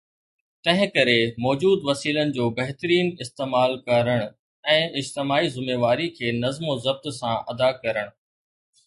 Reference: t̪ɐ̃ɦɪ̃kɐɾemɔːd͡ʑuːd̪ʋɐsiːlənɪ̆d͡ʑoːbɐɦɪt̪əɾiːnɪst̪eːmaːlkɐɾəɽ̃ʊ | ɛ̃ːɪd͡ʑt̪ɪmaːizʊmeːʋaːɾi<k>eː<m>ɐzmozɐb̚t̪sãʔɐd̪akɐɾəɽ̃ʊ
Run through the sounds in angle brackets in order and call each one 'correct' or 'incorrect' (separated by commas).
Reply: incorrect, incorrect